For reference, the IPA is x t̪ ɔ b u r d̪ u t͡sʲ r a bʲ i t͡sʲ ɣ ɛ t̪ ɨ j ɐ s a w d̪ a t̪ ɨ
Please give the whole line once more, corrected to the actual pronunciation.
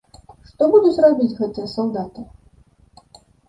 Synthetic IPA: ʂ t̪ ɔ b u d̪ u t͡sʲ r a bʲ i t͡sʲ ɣ ɛ t̪ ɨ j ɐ s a w d̪ a t̪ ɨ

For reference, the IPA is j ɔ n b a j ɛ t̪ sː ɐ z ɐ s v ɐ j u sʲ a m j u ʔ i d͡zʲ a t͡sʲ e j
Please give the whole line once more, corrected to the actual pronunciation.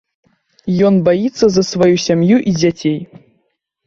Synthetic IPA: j ɔ n b a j i t̪ sː ɐ z ɐ s v a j u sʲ a m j u ʔ i d͡zʲ a t͡sʲ e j

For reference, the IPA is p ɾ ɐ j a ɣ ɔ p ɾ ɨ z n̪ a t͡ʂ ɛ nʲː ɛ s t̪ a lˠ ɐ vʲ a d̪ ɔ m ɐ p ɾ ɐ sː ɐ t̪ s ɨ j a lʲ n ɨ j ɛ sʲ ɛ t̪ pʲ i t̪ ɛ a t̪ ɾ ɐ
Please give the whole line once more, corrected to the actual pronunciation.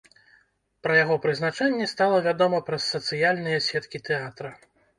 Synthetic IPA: p ɾ ɐ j a ɣ ɔ p ɾ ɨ z n̪ a t͡ʂ ɛ nʲː ɛ s t̪ a lˠ ɐ vʲ a d̪ ɔ m ɐ p ɾ ɐ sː ɐ t̪ s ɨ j a lʲ n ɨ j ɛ sʲ ɛ t̪ kʲ i t̪ ɛ a t̪ ɾ ɐ

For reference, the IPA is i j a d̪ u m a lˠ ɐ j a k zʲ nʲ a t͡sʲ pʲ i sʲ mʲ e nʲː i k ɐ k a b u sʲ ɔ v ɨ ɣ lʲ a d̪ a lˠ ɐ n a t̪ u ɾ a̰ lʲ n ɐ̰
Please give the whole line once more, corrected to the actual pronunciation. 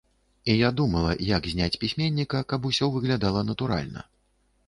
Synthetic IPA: i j a d̪ u m ɐ lˠ ɐ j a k zʲ nʲ a t͡sʲ pʲ i sʲ mʲ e nʲː i k ɐ k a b u sʲ ɔ v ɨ ɣ lʲ a d̪ a lˠ ɐ n ɐ t̪ u ɾ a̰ lʲ n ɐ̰

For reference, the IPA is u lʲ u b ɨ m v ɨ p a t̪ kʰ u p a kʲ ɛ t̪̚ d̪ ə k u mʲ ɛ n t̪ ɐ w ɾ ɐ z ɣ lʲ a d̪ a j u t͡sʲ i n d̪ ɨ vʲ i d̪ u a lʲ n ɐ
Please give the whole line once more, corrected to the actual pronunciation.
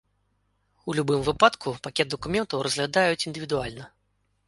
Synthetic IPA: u lʲ u b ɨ m v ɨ p a t̪ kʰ u p a kʲ ɛ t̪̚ d̪ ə k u mʲ ɛ n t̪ ɐ w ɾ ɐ z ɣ lʲ a d̪ a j u t͡sʲ i n d̪ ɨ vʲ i d̪ u a lʲ n ɐ

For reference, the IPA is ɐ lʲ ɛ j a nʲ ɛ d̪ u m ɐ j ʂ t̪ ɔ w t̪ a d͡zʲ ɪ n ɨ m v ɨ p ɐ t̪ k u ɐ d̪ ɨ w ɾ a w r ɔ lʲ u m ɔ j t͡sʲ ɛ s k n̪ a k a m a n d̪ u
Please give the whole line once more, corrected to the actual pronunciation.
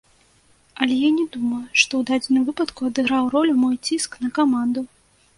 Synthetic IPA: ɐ lʲ ɛ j a nʲ ɛ d̪ u m ɐ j ʂ t̪ ɔ w d̪ a d͡zʲ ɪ n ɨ m v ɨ p ɐ t̪ k u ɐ d̪ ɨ ɣ ɾ a w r ɔ lʲ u m ɔ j t͡sʲ i s k n̪ ɐ k a m a n d̪ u

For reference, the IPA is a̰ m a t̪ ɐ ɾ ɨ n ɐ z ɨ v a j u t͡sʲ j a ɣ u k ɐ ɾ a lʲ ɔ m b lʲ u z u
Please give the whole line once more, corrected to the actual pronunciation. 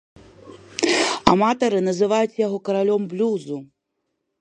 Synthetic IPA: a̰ m a t̪ ɐ ɾ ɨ n ɐ z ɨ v a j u t͡sʲ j a ɣ ɔ k ɐ ɾ a lʲ ɔ m b lʲ u z u

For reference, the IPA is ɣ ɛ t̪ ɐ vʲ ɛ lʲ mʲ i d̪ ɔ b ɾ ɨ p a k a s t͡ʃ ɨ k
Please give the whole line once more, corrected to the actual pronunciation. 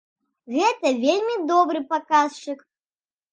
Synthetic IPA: ɣ ɛ t̪ ɐ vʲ e lʲ mʲ i d̪ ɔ b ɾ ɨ p a k a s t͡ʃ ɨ k

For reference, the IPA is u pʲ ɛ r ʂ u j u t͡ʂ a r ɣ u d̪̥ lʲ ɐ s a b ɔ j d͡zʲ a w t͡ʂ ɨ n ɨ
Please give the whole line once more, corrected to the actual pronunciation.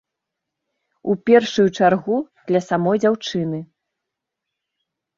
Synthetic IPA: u pʲ ɛ r ʂ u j u t͡ʂ a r ɣ u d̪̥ lʲ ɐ s a m ɔ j d͡zʲ a w t͡ʂ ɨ n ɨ

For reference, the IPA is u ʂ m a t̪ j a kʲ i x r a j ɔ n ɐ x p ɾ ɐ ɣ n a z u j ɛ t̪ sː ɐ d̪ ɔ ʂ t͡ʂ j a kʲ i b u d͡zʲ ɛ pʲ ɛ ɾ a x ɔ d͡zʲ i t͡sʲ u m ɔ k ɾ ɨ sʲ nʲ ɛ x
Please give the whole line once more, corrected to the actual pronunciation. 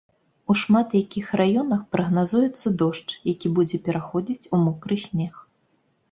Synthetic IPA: u ʂ m a t̪ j a kʲ i x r a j ɔ n ɐ x p ɾ ɐ ɣ n a z u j ɛ t̪ sː ɐ d̪ ɔ ʂ t͡ʂ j a kʲ i b u d͡zʲ ɛ pʲ ɛ ɾ a x ɔ d͡zʲ i t͡sʲ u m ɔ k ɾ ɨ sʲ nʲ ɛ x

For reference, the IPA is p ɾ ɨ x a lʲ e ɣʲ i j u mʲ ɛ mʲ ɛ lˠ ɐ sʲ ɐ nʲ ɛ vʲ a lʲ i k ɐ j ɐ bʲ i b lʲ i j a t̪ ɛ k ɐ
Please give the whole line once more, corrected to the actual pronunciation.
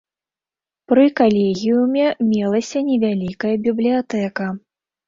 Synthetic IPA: p ɾ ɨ k a lʲ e ɣʲ i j u mʲ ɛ mʲ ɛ lˠ ɐ sʲ ɐ nʲ ɛ vʲ a lʲ i k ɐ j ɐ bʲ i b lʲ i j a t̪ ɛ k ɐ

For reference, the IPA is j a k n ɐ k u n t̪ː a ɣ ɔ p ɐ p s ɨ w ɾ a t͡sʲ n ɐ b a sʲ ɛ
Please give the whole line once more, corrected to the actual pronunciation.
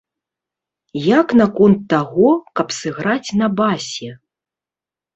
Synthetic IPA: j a k n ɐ k ɔ n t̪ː a ɣ ɔ k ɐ p s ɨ ɣ ɾ a t͡sʲ n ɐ b a sʲ ɛ

